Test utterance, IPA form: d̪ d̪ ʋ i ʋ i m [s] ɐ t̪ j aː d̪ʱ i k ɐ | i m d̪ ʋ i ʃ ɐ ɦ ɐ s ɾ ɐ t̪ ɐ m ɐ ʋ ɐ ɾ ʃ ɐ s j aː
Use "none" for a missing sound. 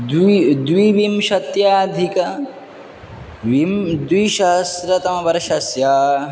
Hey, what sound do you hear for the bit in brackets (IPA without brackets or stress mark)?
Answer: ʃ